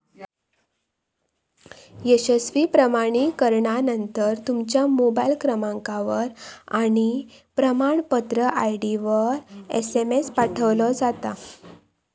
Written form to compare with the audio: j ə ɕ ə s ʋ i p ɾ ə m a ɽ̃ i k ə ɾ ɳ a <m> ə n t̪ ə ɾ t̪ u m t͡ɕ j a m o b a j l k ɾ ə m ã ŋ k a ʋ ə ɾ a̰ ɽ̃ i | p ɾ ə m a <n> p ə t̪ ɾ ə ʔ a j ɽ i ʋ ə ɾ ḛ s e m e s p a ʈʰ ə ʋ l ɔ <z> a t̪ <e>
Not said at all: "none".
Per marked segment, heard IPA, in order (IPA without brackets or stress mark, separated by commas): n, ɳ, d͡z, a